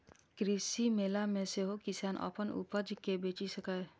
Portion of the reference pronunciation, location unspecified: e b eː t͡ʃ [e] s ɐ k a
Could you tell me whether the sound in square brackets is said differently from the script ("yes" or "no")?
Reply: yes